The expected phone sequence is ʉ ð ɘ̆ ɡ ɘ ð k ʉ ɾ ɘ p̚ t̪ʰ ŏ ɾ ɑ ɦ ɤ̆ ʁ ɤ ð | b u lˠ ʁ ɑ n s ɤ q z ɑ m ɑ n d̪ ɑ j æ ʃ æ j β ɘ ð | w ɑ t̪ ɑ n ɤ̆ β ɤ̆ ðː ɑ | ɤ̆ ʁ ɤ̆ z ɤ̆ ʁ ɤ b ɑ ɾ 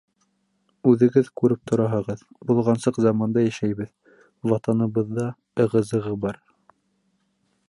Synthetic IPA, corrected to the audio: ʉ ð ɘ̆ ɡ ɘ ð k ʉ ɾ ɘ p̚ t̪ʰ ŏ ɾ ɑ ɦ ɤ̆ ʁ ɤ ð | b u lˠ ʁ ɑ n s ɤ q z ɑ m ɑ n d̪ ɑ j æ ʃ æ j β ɘ ð | w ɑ t̪ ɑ n ɤ̆ β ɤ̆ ðː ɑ | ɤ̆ ʁ ɤ̆ z ɤ̆ ʁ ɤ b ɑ ɾ